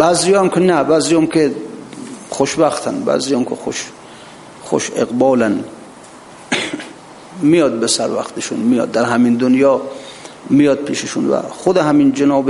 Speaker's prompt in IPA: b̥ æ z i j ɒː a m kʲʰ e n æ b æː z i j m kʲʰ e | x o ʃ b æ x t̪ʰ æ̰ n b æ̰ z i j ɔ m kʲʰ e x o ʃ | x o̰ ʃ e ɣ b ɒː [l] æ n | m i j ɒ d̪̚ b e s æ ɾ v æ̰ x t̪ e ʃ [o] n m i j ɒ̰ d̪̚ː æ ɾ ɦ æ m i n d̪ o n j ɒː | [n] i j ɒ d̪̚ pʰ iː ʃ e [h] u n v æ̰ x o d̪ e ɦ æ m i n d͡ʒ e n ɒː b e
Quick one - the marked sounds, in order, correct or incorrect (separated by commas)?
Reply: correct, incorrect, incorrect, incorrect